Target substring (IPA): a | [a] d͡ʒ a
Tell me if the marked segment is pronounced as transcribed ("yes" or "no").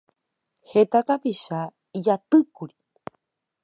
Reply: no